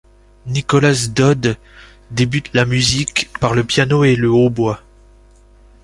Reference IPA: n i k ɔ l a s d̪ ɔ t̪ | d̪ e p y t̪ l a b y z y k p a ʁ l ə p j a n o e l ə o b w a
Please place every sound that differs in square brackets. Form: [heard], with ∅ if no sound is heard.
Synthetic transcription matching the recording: n i k ɔ l a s d̪ ɔ [d̪] | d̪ e [b] y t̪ l a [m] y z [i] k p a ʁ l ə p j a n o e l ə o b w a